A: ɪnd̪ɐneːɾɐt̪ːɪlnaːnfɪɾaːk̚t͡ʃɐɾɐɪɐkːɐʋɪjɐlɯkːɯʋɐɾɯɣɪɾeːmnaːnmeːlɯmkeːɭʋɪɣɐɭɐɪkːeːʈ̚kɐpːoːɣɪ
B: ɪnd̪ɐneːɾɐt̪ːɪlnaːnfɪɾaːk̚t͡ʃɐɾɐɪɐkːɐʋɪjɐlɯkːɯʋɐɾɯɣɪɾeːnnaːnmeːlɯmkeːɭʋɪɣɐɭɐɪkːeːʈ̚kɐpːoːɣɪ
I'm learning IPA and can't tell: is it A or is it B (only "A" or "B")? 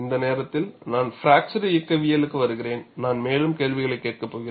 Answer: B